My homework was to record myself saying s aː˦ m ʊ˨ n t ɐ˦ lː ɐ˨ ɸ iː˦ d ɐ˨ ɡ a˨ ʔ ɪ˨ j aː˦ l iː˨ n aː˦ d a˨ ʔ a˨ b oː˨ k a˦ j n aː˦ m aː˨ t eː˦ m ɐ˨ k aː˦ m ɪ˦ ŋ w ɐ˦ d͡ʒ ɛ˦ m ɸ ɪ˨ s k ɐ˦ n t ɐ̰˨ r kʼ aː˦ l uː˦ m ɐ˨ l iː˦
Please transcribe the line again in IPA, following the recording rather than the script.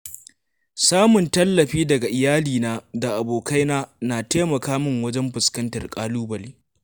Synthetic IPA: s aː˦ m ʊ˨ n t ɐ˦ lː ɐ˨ ɸ iː˦ d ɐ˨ ɡ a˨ ʔ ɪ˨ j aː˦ l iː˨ n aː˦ d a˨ ʔ a˨ b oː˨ k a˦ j n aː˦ n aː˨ t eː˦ m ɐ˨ k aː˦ m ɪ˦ ŋ w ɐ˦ d͡ʒ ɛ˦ m ɸ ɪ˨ s k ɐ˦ n t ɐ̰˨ r kʼ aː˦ l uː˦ b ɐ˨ l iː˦